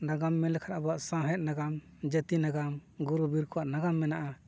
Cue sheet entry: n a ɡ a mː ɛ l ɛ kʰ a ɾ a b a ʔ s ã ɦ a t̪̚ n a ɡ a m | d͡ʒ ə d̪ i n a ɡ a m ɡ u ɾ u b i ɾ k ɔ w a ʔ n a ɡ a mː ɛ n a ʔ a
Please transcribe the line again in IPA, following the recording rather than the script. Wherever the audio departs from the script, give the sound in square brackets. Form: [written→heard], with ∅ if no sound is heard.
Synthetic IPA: n a ɡ a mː ɛ l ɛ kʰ a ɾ a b a ʔ s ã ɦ [a→ɛ] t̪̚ n a ɡ a m | d͡ʒ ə [d̪→t̪] i n a ɡ a m ɡ u ɾ u b i ɾ k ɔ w a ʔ n a ɡ a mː ɛ n a ʔ a